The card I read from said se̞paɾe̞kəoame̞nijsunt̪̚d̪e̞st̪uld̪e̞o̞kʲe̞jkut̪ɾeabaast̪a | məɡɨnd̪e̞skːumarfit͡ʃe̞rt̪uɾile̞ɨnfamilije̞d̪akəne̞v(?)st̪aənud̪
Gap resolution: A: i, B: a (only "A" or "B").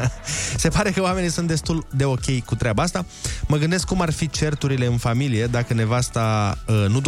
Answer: B